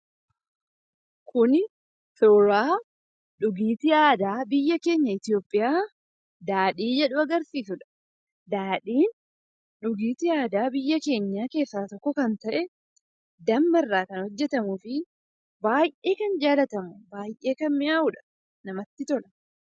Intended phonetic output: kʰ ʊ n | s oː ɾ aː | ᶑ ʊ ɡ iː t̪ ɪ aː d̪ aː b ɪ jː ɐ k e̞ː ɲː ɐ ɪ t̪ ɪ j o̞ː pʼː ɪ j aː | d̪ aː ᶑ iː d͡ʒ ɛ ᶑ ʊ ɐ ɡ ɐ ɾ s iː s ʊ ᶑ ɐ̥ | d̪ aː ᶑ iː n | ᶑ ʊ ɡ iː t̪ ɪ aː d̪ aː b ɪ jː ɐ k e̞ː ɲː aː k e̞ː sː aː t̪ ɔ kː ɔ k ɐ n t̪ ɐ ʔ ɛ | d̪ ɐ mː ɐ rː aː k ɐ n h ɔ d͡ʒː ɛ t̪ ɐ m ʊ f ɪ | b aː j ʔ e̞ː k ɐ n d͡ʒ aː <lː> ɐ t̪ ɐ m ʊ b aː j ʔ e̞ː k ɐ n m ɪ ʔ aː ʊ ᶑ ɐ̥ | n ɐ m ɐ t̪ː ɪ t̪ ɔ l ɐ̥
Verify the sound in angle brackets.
incorrect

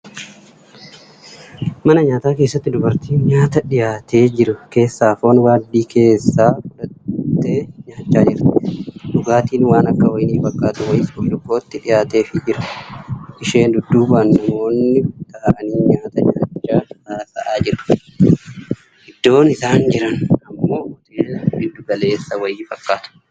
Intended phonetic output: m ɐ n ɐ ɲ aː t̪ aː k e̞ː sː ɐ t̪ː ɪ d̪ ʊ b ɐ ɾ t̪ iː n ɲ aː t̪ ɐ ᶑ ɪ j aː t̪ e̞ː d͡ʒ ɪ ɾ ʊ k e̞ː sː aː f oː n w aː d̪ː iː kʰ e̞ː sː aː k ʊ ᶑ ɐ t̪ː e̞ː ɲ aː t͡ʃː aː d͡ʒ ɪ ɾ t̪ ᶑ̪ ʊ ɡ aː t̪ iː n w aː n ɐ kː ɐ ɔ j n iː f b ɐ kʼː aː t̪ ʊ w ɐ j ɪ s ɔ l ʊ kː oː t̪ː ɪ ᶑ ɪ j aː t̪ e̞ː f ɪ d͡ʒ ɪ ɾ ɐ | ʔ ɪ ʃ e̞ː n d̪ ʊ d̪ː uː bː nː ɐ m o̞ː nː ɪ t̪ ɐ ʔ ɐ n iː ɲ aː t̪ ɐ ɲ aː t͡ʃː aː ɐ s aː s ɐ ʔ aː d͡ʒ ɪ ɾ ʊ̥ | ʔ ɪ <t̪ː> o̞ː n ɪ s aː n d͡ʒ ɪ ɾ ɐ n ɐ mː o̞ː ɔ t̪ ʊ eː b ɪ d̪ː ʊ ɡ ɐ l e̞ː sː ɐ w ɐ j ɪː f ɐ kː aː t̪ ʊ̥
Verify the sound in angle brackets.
incorrect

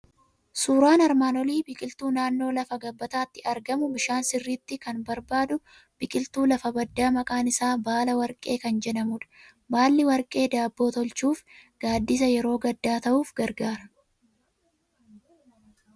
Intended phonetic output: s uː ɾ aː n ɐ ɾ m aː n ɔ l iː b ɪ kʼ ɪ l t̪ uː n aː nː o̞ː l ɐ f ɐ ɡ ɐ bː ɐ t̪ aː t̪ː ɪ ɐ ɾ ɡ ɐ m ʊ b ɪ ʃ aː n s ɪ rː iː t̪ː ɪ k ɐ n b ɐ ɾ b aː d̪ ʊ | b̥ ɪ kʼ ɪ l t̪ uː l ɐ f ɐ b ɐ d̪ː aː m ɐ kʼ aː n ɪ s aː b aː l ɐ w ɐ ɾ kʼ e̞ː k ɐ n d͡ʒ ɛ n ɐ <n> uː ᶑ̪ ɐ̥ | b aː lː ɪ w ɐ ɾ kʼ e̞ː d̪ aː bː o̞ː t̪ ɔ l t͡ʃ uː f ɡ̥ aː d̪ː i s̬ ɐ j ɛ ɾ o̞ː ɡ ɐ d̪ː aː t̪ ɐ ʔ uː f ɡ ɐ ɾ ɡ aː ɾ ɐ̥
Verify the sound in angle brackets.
incorrect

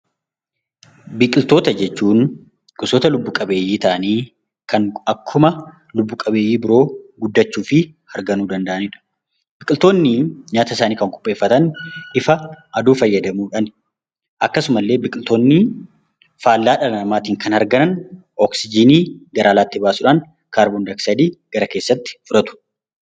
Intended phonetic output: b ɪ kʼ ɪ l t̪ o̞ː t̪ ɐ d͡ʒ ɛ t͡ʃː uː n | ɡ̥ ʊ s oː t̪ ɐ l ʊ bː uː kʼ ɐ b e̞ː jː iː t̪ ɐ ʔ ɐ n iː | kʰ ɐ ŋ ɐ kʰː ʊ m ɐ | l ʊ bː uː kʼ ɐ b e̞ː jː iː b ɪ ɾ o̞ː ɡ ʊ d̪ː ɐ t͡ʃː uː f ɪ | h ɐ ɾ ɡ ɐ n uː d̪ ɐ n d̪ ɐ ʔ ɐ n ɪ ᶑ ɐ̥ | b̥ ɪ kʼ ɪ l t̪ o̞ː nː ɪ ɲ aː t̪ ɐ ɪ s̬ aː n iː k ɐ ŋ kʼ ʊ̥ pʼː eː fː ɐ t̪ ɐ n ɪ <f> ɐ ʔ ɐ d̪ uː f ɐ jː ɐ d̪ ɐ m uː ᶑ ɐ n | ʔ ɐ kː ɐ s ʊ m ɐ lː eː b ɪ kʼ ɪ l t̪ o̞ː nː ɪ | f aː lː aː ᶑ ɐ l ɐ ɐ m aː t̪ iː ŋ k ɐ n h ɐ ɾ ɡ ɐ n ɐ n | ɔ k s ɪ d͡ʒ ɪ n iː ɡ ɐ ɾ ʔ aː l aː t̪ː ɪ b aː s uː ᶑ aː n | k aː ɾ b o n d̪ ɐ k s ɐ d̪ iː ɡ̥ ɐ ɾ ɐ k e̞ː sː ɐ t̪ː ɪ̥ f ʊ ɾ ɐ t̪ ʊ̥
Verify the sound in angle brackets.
correct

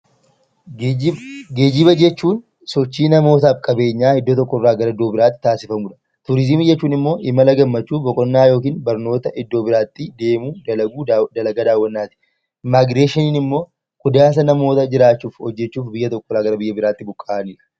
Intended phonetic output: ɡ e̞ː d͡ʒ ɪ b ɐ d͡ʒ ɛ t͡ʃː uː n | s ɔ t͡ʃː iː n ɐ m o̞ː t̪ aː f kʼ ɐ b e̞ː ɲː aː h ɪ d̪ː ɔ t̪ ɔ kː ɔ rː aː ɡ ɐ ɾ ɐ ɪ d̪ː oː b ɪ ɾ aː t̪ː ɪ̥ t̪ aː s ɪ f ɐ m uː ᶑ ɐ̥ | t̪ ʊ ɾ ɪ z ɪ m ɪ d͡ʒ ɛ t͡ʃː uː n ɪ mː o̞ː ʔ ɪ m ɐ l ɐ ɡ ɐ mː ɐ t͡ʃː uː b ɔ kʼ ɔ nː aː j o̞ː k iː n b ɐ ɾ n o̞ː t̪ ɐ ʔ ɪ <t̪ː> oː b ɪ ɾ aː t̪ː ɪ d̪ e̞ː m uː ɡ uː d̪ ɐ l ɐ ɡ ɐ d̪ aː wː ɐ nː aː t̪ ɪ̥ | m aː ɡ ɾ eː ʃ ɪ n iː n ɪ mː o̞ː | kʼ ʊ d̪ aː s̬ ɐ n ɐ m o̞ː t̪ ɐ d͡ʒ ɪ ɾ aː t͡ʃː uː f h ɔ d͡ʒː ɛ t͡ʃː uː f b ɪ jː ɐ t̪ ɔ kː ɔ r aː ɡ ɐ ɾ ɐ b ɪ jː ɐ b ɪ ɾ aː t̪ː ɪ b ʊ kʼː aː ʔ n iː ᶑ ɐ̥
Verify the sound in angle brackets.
incorrect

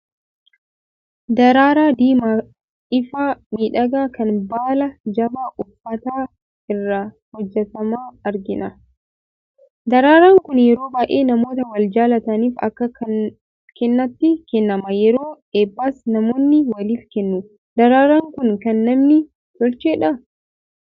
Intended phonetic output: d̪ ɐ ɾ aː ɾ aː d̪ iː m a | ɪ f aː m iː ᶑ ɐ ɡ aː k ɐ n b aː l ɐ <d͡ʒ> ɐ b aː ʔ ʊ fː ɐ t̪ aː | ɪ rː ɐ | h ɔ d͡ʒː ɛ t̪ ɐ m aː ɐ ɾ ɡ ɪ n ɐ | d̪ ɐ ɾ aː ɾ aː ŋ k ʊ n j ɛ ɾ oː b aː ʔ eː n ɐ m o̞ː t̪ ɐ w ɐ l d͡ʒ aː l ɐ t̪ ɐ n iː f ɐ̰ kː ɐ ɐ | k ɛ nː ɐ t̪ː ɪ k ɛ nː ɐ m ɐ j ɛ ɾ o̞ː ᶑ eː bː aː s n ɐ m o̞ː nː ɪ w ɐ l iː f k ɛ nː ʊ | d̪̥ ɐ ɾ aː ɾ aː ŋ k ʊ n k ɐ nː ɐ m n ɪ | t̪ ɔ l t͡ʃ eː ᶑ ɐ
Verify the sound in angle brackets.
correct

